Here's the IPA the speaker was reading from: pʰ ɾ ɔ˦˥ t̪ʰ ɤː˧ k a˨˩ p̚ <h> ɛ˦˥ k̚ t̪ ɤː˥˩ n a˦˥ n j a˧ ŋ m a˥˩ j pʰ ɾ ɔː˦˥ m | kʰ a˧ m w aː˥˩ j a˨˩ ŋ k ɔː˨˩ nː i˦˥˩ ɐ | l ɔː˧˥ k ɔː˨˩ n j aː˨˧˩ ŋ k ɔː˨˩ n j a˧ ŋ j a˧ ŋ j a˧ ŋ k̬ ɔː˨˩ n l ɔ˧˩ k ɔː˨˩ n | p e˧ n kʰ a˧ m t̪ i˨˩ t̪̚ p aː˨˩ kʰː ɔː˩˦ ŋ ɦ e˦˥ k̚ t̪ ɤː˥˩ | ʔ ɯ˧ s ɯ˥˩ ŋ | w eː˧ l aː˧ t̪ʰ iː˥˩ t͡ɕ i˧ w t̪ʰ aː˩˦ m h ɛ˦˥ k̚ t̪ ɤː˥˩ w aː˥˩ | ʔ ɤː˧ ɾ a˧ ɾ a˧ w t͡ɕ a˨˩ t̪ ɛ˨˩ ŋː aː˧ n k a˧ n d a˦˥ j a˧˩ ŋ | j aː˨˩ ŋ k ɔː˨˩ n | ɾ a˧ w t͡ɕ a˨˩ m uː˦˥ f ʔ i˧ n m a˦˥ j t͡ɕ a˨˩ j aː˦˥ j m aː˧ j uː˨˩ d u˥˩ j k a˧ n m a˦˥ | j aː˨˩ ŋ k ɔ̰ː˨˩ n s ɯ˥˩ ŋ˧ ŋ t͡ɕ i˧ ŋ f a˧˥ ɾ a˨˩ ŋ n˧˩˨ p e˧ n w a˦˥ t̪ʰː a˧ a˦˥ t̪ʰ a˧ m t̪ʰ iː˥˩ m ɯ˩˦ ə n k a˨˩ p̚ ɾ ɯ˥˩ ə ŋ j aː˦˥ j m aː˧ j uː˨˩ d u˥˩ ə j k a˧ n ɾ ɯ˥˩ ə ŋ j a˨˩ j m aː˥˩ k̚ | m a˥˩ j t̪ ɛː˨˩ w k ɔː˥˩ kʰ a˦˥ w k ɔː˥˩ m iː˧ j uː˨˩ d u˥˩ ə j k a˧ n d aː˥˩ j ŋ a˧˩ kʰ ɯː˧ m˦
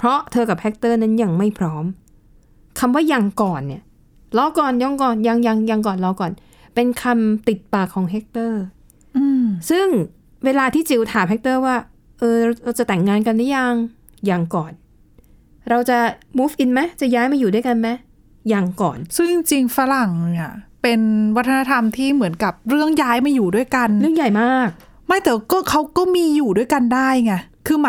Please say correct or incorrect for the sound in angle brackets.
correct